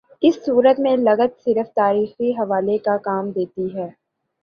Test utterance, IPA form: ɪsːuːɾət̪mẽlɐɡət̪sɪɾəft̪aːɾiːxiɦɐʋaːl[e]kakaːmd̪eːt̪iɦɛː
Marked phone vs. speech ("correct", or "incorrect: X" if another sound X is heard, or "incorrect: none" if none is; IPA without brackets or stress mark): correct